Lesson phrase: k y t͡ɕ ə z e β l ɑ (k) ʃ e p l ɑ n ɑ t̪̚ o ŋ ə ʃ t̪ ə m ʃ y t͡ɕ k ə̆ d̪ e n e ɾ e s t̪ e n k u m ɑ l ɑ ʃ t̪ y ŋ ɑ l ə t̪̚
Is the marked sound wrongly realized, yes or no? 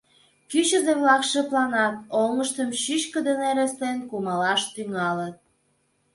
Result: no